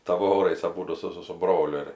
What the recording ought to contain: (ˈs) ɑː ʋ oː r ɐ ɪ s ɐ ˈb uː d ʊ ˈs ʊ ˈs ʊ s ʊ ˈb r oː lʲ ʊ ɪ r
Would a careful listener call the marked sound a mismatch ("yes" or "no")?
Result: yes